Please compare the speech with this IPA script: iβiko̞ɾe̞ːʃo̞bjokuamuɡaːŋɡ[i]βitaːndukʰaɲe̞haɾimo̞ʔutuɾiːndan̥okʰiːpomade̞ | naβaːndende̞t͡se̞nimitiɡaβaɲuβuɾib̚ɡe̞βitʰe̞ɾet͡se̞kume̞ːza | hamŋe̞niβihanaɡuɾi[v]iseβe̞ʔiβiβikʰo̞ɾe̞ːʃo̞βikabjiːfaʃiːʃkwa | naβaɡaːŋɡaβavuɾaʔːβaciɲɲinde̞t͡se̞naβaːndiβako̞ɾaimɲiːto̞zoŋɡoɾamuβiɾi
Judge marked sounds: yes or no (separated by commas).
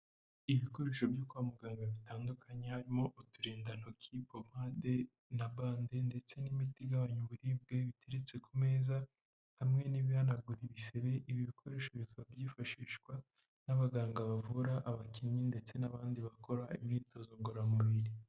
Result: no, no